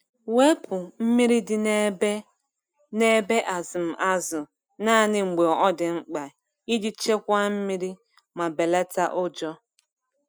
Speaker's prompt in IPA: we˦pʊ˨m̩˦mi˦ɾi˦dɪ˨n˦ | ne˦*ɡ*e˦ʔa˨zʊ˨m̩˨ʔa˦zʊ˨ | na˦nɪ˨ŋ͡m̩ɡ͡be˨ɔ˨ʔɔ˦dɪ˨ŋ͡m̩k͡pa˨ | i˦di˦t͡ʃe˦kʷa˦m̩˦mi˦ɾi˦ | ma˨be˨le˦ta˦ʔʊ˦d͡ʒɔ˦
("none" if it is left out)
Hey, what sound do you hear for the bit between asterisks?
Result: b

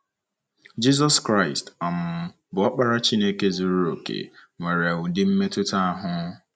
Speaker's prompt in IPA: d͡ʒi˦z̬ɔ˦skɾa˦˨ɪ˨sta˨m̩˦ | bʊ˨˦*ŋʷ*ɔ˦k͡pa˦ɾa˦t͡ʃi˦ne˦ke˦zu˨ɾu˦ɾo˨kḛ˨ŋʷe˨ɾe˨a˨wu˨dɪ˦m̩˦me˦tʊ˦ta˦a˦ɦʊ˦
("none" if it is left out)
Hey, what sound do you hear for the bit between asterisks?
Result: none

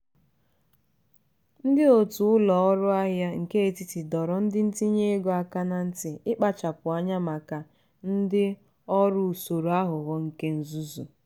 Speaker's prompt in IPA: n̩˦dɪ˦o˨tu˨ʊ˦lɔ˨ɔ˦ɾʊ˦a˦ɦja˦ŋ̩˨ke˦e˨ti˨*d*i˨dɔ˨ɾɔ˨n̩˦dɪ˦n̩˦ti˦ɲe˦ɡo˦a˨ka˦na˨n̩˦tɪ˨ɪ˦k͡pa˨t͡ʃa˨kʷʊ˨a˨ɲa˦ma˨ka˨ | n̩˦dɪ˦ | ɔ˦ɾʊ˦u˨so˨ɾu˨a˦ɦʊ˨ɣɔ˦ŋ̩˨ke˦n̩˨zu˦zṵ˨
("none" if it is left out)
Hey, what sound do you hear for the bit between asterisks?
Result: t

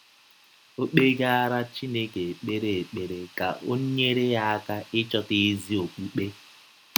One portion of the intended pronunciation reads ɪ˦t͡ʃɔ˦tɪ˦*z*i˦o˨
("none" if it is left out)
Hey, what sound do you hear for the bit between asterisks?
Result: z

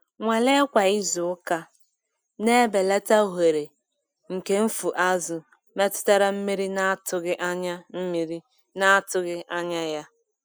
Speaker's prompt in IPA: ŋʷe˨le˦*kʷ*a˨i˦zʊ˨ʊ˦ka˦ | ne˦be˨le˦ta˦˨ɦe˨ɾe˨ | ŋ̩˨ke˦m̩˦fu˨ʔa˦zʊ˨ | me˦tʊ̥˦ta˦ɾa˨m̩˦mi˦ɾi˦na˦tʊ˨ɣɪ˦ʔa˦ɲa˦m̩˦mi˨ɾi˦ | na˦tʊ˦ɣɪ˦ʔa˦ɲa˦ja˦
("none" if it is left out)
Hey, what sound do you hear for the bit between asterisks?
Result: kʷ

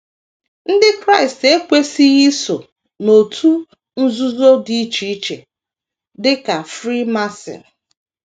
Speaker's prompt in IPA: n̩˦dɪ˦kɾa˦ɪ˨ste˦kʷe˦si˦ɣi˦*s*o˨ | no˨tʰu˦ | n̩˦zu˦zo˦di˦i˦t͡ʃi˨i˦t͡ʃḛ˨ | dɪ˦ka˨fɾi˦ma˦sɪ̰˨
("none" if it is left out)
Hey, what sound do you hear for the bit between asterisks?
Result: s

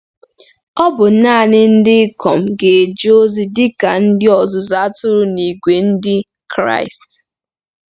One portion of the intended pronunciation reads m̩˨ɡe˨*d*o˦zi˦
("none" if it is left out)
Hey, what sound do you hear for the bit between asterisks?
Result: d͡ʒ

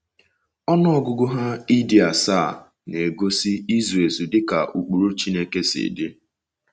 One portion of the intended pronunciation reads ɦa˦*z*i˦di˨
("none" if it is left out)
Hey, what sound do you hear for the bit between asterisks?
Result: none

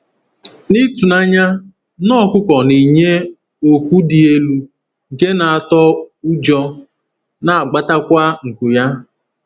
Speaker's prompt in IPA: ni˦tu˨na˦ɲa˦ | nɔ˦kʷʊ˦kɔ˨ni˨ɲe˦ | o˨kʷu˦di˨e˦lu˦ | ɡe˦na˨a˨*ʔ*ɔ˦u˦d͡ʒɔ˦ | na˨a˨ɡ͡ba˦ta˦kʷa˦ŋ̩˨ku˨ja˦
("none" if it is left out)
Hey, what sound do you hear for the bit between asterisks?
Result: t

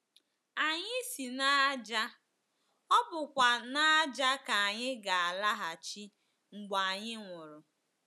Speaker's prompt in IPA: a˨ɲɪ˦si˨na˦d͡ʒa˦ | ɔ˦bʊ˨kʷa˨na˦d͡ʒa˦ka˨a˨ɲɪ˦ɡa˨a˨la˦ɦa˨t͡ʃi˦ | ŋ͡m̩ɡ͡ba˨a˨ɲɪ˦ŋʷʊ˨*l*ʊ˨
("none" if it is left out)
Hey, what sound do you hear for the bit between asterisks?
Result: ɾ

